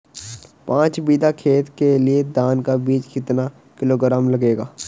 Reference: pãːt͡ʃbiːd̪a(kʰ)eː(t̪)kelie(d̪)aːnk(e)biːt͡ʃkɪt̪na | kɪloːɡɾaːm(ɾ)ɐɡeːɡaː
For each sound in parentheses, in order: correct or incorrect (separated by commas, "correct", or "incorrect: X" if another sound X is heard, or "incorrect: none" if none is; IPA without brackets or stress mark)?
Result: correct, correct, correct, incorrect: a, incorrect: l